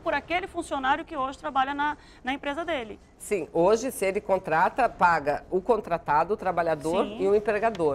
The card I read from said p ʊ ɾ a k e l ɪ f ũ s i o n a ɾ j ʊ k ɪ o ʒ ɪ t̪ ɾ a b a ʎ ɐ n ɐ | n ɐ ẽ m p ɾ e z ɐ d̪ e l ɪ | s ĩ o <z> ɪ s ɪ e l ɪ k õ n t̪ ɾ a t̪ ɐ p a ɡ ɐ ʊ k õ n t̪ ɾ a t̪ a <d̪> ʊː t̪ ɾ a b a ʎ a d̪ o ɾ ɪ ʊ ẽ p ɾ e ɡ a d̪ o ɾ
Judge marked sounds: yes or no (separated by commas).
no, yes